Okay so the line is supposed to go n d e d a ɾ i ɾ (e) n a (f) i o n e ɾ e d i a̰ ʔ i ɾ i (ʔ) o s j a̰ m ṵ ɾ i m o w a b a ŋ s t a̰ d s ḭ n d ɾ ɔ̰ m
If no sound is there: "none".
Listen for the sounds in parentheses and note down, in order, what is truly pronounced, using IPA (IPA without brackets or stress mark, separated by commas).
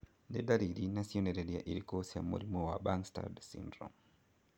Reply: i, s, k